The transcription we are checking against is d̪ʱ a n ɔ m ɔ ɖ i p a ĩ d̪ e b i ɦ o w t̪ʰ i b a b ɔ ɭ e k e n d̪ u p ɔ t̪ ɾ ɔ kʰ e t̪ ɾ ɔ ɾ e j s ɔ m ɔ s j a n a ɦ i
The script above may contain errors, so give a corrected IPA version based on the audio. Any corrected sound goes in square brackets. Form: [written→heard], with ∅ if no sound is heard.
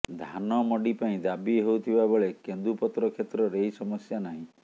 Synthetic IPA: d̪ʱ a n ɔ m ɔ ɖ i p a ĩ d̪ [e→a] b i ɦ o w t̪ʰ i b a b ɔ ɭ e k e n d̪ u p ɔ t̪ ɾ ɔ kʰ e t̪ ɾ ɔ ɾ e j s ɔ m ɔ s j a n a ɦ [i→ĩ]